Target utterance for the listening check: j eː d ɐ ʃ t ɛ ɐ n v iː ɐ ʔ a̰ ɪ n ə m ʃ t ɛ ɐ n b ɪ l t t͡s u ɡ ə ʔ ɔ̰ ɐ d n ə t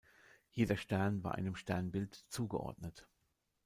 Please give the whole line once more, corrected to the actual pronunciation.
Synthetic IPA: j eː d ɐ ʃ t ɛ ɐ n v aː ɐ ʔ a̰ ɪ n ə m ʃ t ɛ ɐ n b ɪ l t t͡s uː ɡ ə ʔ ɔ̰ ɐ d n ə t